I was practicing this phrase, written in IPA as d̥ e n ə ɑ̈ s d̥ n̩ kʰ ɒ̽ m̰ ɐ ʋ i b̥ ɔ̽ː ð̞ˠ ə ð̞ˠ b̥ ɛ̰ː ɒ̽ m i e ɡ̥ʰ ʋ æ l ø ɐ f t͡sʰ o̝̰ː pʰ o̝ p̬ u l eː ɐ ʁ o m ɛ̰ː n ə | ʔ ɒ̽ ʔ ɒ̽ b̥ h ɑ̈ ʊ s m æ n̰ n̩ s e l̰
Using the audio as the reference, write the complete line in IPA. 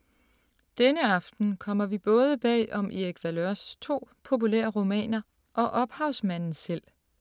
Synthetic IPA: d̥ e n ə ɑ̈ f d̥ n̩ kʰ ɒ̽ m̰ ɐ ʋ i b̥ ɔ̽ː ð̞ˠ ə b̥ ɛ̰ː ɒ̽ m i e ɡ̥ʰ ʋ æ l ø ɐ s t͡sʰ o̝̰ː pʰ o̝ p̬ u l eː ɐ ʁ o m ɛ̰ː n ɐ | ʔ ɒ̽ ʔ ɒ̽ b̥ h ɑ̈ ʊ s m æ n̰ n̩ s e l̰

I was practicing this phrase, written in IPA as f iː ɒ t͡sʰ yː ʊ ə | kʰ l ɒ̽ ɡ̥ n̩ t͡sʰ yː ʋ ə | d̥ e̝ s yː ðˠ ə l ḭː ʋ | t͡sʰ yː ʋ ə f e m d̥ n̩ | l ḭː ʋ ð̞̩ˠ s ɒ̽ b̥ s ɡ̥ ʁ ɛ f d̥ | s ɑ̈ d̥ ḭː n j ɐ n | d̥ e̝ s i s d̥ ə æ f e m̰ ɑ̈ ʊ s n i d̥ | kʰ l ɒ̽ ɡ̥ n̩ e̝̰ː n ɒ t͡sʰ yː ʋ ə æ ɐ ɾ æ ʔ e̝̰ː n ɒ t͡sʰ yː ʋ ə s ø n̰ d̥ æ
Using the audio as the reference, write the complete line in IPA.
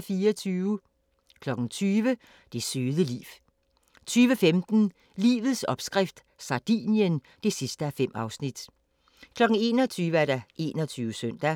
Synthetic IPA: f iː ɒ t͡sʰ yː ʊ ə | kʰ l ɒ̽ ɡ̥ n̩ t͡sʰ yː ʋ ə | d̥ e̝ s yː ðˠ ə l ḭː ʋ | t͡sʰ yː ʋ ə f e m d̥ n̩ | l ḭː ʋ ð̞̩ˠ s ɒ̽ b̥ s ɡ̥ ʁ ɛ f d̥ | s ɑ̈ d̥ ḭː n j ə n | d̥ e̝ s i s d̥ ə æ f e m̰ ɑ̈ ʊ s n i d̥ | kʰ l ɒ̽ ɡ̥ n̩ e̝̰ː n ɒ t͡sʰ yː ʋ ə æ ɐ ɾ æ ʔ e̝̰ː n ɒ t͡sʰ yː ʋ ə s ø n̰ d̥ æ

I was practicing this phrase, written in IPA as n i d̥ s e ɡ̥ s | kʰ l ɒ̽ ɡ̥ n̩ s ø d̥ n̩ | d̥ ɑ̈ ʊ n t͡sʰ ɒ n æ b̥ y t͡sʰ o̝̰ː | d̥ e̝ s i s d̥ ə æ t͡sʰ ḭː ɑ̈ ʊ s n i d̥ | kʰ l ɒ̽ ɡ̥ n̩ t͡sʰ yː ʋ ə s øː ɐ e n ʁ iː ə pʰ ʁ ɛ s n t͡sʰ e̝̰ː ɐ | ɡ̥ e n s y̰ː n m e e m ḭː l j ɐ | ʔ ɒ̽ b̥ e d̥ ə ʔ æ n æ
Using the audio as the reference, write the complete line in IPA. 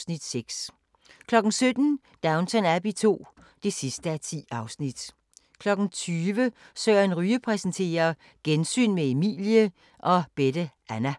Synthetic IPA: n i d̥ s e ɡ̥ s | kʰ l ɒ̽ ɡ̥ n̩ s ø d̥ n̩ | d̥ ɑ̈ ʊ n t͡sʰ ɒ n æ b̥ i t͡sʰ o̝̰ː | d̥ e̝ s i s d̥ ə æ t͡sʰ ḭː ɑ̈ ʊ s n i d̥ | kʰ l ɒ̽ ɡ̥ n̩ t͡sʰ yː ʋ ə s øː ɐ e n ʁ yː ə pʰ ʁ ɛ s n t͡sʰ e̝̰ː ɐ | ɡ̥ e n s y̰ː n m e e m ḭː l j ə | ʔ ɒ̽ b̥ e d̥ ə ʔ æ n æ

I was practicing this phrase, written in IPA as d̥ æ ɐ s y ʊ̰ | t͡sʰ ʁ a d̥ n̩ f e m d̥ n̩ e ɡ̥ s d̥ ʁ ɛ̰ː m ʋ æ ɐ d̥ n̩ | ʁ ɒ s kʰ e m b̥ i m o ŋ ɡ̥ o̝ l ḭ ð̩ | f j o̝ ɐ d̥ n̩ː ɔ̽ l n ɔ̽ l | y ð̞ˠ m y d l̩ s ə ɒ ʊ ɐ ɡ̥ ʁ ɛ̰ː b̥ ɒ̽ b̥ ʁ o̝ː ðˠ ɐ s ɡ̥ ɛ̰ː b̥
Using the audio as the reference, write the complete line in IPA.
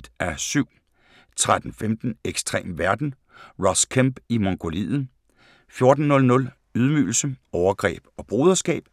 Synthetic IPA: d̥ æ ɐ s y ʊ̰ | t͡sʰ ʁ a d̥ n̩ f e m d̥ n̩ e ɡ̥ s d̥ ʁ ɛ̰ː m ʋ æ ɐ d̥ n̩ | ʁ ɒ s kʰ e m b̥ i m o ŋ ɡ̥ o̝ l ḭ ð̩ | f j o̝ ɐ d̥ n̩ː ɔ̽ l n ɔ̽ l | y ð̞ˠ m y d l̩ s ə ɒ ʊ ɐ ɡ̥ ʁ ɛ̰ː b̥ ɒ̽ b̥ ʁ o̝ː ðˠ ɐ s ɡ̥ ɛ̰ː b̥

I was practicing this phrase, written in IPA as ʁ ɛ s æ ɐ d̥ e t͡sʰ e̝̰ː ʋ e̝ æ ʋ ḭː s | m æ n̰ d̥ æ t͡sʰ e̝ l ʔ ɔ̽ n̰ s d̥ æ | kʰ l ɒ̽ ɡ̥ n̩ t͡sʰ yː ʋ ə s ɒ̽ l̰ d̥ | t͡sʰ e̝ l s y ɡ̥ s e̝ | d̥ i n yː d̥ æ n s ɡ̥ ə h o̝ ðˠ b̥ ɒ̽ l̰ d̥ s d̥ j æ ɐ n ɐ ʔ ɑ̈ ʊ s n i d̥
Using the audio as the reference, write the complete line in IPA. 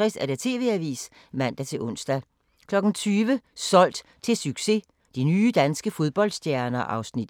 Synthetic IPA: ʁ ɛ s æ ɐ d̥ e t͡sʰ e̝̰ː ʋ e̝ æ ʋ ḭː s | m æ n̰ d̥ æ t͡sʰ e̝ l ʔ ɔ̽ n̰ s d̥ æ | kʰ l ɒ̽ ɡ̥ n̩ t͡sʰ yː ʋ ə s ɒ̽ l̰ d̥ | t͡sʰ e̝ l s y ɡ̥ s e̝ | d̥ i n yː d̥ æ n s ɡ̥ ə f o̝ ðˠ b̥ ɒ̽ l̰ d̥ s d̥ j æ ɐ n ɐ ʔ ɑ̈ ʊ s n i d̥

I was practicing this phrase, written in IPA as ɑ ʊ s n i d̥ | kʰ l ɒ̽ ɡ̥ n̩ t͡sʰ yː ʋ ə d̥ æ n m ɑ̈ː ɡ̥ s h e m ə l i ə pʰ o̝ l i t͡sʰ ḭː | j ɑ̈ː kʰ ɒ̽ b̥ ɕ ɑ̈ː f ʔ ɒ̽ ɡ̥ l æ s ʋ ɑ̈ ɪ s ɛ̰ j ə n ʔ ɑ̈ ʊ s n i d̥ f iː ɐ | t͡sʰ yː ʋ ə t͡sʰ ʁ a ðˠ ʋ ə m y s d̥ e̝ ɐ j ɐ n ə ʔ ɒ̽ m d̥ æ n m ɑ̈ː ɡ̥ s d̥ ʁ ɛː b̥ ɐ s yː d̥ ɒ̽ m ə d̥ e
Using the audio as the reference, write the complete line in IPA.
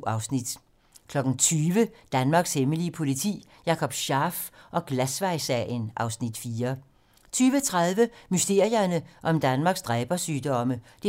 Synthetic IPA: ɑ ʊ s n i d̥ | kʰ l ɒ̽ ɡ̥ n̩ t͡sʰ yː ʋ ə d̥ æ n m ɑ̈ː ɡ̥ s h e m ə l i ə pʰ o̝ l i t͡sʰ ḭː | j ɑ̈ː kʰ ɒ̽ b̥ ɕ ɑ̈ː f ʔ ɒ̽ ɡ̥ l æ s ʋ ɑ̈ ɪ s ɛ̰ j ə n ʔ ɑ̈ ʊ s n i d̥ f iː ɐ | t͡sʰ yː ʋ ə t͡sʰ ʁ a ðˠ ʋ ə m y s d̥ e̝ ɐ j ɐ n ə ʔ ɒ̽ m d̥ æ n m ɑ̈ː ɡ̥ s d̥ ʁ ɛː b̥ ɐ s yː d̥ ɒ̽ m ə d̥ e

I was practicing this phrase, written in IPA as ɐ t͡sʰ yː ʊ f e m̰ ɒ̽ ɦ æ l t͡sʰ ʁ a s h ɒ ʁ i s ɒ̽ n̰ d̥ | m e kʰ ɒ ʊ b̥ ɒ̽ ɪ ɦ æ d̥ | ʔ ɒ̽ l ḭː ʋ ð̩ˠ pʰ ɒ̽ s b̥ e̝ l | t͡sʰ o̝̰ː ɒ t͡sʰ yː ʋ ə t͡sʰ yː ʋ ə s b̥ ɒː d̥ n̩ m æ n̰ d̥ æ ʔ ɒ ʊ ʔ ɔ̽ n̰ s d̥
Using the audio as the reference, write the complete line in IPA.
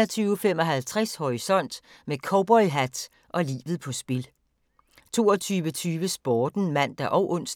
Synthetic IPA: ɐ t͡sʰ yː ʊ f e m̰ ɒ̽ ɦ æ l t͡sʰ ʁ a s h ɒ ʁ i s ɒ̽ n̰ d̥ | m e kʰ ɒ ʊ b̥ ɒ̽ ɪ ɦ æ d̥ | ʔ ɒ̽ l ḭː ʋ ð̩ˠ pʰ ɒ̽ s b̥ e̝ l | t͡sʰ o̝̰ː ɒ t͡sʰ yː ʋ ə t͡sʰ yː ʋ ə s b̥ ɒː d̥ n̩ m æ n̰ d̥ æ ʔ ɒ ʊ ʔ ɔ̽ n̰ s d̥

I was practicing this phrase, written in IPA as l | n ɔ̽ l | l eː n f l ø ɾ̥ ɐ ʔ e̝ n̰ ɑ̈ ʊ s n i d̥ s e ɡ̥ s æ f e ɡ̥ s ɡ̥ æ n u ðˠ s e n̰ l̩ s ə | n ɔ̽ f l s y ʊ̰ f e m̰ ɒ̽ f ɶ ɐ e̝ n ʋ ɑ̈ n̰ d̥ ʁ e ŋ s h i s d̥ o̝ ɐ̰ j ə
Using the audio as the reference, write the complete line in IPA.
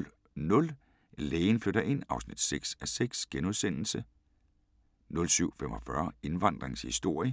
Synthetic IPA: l | n ɔ̽ l | l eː n f l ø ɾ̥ ɐ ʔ e̝ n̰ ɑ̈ ʊ s n i d̥ s e ɡ̥ s æ s e ɡ̥ s ɡ̥ e n u ðˠ s e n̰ l̩ s ə | n ɔ̽ l s y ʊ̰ f e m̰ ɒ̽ f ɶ ɐ e̝ n ʋ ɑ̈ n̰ d̥ ʁ e ŋ s h i s d̥ o̝ ɐ̰ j ə

